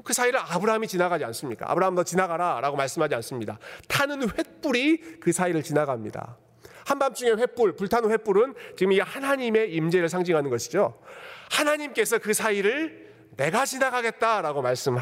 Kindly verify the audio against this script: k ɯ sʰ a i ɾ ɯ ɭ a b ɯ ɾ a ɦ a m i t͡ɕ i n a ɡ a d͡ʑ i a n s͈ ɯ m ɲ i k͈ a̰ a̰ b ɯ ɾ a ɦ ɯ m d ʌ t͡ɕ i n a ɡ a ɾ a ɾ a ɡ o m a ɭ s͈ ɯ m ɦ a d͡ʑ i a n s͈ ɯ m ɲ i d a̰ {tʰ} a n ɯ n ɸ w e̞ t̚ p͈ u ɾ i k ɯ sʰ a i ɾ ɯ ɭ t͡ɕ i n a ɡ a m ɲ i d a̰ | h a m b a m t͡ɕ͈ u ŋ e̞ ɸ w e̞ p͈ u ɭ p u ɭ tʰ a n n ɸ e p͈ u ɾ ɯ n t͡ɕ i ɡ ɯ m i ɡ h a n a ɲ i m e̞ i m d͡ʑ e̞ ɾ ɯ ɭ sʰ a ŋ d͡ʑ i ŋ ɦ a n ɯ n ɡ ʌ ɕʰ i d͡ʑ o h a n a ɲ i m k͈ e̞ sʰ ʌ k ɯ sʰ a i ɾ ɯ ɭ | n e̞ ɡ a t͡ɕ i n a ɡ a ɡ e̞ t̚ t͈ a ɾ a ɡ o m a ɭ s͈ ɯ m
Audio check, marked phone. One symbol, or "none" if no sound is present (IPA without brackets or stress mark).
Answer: tʰ